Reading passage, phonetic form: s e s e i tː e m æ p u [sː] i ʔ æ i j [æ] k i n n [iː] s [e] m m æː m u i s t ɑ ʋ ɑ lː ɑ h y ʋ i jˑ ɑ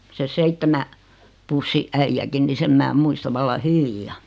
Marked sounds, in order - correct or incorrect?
correct, correct, incorrect: i, correct

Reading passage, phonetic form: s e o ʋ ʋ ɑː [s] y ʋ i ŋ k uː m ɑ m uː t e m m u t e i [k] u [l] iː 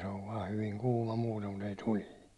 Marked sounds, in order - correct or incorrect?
incorrect: h, incorrect: t, correct

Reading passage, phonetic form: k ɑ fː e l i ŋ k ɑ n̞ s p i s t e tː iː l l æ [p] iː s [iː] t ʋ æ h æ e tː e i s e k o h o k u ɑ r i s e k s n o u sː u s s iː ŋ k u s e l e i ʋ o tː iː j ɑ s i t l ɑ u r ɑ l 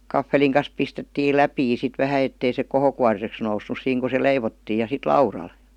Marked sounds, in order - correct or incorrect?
correct, incorrect: i

